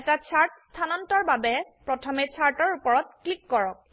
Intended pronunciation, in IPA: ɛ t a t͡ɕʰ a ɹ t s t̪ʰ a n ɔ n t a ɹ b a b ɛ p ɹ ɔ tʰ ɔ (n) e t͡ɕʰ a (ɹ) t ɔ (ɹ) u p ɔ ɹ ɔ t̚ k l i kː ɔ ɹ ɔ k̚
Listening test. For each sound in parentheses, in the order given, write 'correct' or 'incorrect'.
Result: incorrect: m, correct, correct

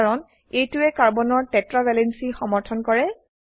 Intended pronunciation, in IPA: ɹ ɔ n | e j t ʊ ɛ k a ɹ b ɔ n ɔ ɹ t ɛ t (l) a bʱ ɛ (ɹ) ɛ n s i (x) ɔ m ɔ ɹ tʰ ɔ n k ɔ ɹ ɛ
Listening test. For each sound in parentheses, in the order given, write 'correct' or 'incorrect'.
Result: incorrect: ɹ, incorrect: l, correct

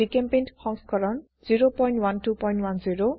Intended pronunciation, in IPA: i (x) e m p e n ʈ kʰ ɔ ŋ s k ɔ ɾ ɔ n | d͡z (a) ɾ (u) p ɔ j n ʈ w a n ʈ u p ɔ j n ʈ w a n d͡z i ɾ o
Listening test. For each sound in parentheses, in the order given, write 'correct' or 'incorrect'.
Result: incorrect: k, incorrect: i, incorrect: o

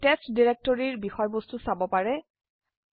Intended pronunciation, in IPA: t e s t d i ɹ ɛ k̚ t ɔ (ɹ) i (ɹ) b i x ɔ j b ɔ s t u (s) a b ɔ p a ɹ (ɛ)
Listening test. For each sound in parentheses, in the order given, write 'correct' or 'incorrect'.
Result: correct, correct, correct, correct

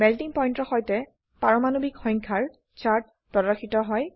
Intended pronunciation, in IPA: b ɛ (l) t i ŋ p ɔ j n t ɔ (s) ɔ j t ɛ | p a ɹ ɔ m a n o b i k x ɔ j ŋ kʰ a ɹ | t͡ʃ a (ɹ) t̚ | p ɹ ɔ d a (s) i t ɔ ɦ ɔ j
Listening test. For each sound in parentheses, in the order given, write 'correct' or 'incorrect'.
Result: correct, incorrect: x, correct, incorrect: x

